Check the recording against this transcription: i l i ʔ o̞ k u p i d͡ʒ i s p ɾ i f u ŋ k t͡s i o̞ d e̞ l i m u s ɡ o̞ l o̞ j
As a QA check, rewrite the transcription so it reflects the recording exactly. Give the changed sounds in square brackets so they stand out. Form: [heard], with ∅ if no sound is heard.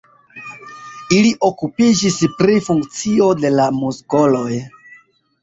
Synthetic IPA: i l i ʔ o̞ k u p i d͡ʒ i s p ɾ i f u ŋ k t͡s i o̞ d e̞ l [a] m u s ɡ o̞ l o̞ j